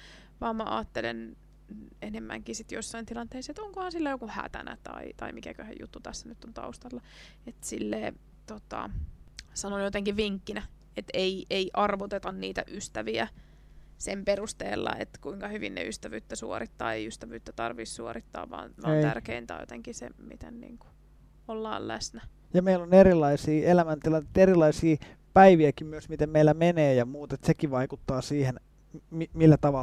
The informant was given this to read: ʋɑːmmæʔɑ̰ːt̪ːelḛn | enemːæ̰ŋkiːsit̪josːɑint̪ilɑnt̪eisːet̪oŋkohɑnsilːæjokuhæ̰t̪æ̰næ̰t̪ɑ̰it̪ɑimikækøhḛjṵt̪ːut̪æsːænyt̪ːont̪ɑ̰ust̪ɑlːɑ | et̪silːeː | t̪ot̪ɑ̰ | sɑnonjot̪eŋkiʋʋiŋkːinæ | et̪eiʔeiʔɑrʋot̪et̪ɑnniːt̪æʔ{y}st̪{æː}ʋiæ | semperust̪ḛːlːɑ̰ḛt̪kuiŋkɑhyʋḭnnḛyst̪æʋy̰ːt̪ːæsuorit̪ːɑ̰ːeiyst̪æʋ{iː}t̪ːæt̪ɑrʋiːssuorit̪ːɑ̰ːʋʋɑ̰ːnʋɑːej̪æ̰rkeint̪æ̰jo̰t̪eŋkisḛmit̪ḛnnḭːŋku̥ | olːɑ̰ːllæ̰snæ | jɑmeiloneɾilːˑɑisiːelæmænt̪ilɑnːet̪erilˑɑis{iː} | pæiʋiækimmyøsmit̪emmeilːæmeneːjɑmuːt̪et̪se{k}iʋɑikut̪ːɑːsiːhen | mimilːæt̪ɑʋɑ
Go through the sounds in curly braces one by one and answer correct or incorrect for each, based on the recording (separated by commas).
correct, incorrect, incorrect, correct, correct